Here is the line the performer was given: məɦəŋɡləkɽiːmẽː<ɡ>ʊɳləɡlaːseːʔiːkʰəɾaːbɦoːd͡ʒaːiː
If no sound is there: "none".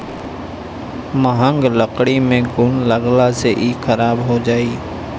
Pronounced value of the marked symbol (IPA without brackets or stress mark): ɡ